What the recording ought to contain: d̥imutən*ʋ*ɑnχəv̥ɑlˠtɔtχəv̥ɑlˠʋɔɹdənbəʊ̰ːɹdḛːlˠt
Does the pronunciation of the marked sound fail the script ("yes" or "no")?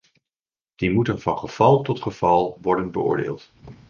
yes